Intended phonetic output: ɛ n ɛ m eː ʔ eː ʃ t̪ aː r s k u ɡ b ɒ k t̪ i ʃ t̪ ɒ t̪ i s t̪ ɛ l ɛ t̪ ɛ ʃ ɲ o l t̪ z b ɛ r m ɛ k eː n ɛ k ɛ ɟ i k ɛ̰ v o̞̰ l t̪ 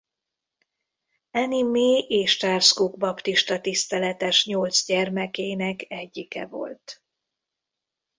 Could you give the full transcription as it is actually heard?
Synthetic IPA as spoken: ɛ n i m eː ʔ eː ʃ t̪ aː r s k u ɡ b ɒ p t̪ i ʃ t̪ ɒ t̪ i s t̪ ɛ l ɛ t̪ ɛ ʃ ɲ o l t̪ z ɟ ɛ r m ɛ k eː n ɛ k ɛ ɟː i k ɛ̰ v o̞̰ l t̪